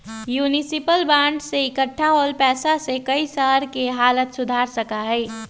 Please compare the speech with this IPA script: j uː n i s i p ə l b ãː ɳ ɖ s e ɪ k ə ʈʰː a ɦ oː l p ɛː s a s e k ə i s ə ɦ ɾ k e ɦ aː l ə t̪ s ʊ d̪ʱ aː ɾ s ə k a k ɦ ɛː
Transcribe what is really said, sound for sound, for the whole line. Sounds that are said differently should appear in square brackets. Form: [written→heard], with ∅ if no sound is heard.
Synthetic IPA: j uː n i s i p ə l b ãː ɳ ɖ s e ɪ k ə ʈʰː a ɦ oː l p ɛː s a s e k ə i s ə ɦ ɾ k e ɦ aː l ə t̪ s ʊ d̪ʱ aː ɾ s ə k a [k→∅] ɦ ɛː